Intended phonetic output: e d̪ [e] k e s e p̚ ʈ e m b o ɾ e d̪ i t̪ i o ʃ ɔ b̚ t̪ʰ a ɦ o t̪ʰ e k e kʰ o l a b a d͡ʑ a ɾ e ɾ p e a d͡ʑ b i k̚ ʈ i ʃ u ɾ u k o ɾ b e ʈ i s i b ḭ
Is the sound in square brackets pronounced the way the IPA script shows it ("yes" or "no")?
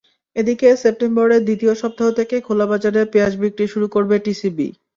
no